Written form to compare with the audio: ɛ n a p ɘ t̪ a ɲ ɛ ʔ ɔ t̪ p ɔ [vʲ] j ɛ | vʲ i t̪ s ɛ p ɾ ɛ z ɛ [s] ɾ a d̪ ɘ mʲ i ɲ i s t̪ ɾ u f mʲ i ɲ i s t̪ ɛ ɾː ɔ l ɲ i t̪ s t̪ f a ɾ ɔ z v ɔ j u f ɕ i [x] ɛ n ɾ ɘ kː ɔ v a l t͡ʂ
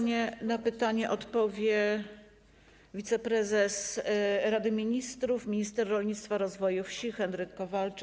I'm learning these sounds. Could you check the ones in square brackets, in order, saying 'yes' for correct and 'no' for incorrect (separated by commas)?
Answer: yes, yes, yes